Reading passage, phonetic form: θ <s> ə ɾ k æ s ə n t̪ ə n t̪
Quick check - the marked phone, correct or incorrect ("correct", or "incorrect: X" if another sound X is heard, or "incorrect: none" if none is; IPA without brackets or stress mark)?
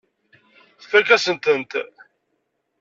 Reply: incorrect: f